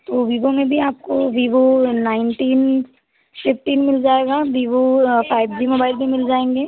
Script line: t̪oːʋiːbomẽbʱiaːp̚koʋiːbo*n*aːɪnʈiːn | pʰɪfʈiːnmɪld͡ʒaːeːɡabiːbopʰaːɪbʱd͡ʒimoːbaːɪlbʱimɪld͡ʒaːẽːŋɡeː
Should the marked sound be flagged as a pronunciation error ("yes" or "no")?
no